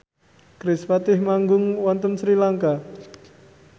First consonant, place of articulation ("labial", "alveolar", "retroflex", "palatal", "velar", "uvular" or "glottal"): velar